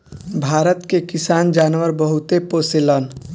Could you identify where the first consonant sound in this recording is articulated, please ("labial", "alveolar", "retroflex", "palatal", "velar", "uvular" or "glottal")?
labial